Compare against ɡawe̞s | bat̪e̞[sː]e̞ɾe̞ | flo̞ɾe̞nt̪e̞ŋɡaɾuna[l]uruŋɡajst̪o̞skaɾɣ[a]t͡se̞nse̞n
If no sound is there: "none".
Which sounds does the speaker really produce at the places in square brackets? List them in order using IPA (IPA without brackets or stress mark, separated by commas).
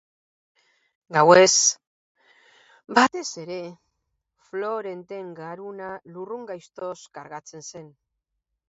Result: s, l, a